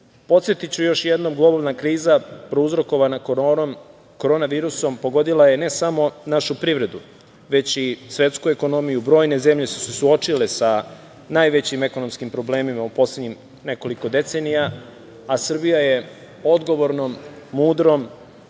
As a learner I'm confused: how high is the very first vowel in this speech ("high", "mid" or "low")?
mid